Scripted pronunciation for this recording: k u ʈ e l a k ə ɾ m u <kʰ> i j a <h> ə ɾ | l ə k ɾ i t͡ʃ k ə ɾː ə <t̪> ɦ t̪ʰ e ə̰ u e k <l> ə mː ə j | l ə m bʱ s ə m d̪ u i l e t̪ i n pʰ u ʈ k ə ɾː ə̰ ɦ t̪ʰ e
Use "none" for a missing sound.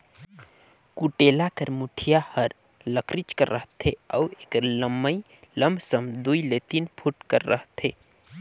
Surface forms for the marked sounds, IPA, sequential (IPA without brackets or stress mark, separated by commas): ʈʰ, h, none, l